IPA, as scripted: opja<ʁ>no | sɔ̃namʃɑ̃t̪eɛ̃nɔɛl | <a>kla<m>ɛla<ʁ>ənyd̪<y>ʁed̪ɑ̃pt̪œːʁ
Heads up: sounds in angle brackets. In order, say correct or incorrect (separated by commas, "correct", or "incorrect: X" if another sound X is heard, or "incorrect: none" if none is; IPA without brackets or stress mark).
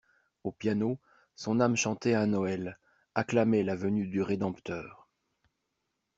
incorrect: none, correct, correct, incorrect: v, correct